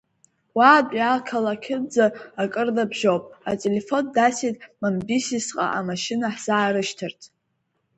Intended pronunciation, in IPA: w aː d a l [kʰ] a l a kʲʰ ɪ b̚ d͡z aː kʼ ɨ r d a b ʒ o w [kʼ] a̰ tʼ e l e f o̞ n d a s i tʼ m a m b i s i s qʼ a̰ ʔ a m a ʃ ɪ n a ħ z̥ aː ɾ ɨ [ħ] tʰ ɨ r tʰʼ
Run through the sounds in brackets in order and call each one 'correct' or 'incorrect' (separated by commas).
correct, incorrect, incorrect